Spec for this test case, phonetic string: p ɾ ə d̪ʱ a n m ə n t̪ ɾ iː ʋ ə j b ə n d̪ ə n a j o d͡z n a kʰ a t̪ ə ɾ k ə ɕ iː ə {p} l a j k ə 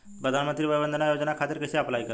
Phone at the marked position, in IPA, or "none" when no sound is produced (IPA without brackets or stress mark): p